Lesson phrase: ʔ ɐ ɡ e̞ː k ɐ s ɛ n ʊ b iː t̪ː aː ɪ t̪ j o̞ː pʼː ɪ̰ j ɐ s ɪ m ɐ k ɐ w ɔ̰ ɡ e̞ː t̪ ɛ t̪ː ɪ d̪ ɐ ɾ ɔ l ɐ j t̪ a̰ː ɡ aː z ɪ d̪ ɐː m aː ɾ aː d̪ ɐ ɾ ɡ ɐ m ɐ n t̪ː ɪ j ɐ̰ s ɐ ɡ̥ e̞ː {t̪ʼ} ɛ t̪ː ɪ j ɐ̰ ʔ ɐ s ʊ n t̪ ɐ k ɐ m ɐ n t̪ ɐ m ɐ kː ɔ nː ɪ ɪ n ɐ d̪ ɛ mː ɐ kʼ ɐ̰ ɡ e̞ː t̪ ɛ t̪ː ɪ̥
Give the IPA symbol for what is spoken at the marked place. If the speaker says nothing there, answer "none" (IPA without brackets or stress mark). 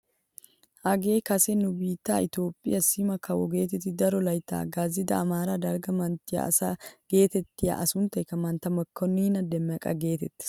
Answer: t̪